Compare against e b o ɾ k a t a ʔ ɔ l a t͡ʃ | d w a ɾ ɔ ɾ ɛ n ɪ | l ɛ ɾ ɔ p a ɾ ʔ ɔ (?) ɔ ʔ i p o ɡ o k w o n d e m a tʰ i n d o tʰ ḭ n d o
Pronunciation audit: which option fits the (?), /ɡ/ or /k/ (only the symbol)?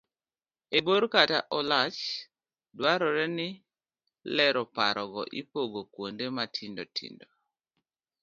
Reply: ɡ